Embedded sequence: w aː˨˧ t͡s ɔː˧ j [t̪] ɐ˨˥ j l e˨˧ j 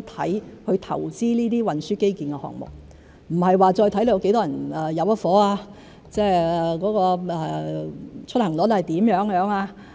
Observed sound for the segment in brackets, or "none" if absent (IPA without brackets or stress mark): t̪ʰ